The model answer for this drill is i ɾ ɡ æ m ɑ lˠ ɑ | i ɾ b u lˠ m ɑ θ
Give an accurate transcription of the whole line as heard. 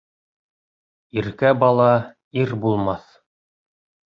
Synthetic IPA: i ɾ k æ b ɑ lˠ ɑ | i ɾ b u lˠ m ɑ θ